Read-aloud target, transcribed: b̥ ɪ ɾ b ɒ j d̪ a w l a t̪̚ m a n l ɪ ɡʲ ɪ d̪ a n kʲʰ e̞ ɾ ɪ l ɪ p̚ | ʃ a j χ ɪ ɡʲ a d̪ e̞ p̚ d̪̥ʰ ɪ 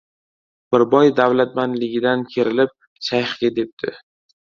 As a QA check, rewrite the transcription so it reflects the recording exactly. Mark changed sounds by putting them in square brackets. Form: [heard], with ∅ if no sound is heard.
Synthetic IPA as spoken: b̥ ɪ ɾ b ɒ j d̪ a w l a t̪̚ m a n l ɪ ɡʲ ɪ d̪ a n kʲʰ e̞ ɾ ɪ l ɪ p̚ | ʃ a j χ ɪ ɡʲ a d̪ e̞ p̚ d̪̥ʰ ɪ